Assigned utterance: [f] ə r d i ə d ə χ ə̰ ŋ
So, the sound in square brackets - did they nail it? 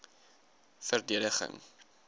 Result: yes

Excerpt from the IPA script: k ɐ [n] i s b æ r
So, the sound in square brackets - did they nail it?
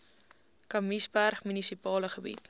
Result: no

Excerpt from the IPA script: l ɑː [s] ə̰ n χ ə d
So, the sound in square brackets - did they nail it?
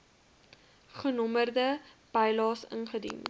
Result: yes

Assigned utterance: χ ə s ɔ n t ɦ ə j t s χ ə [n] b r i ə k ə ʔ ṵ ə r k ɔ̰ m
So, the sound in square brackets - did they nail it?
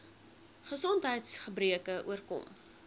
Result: no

